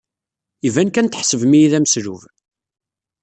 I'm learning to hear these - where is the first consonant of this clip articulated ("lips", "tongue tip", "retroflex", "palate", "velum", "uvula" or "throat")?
lips